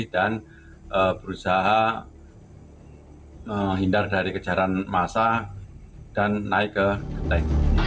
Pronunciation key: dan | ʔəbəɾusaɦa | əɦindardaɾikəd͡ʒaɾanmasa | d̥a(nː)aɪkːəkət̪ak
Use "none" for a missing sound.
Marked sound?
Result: nː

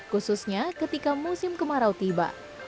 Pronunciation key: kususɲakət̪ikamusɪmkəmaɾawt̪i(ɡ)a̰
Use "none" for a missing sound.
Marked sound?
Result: b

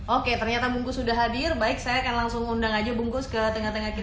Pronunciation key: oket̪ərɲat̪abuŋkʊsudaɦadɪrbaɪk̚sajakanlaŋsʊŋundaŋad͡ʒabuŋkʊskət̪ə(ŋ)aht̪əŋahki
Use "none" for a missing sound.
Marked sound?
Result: ŋ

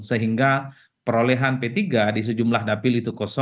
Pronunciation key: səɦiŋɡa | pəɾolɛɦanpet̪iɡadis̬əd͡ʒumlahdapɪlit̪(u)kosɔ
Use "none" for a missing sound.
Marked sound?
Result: u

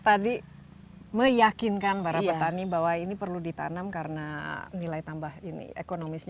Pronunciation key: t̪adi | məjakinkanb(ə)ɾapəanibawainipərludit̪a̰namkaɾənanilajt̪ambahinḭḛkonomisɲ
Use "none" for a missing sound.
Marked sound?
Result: a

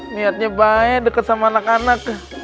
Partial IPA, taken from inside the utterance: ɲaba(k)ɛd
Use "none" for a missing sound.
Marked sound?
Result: none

